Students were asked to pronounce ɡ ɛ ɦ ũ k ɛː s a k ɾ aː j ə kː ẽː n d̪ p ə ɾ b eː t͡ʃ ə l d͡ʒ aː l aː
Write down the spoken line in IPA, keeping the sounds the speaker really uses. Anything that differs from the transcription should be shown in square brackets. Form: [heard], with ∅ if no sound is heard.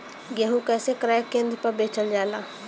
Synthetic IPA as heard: ɡ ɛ ɦ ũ k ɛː s [e] k ɾ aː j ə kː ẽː n d̪ p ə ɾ b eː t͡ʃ ə l d͡ʒ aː l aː